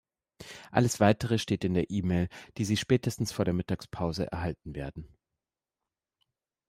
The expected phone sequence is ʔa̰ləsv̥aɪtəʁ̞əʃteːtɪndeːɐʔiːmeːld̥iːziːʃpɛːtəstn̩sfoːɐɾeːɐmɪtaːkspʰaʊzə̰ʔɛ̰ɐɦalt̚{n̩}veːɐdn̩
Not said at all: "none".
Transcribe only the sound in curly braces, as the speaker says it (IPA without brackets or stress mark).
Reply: n̩